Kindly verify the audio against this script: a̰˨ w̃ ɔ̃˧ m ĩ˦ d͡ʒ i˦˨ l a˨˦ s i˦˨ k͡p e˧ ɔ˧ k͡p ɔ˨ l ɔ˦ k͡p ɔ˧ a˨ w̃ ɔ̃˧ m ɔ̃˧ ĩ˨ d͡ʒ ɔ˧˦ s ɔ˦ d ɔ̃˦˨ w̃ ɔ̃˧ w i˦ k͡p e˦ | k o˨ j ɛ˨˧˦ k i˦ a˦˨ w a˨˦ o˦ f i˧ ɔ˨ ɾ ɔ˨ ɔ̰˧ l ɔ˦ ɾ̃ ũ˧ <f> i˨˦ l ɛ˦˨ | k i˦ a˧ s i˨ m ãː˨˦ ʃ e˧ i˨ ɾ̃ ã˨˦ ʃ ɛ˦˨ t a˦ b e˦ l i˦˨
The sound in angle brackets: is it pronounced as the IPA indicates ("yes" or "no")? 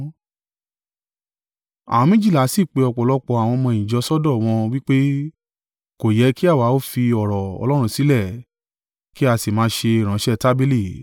no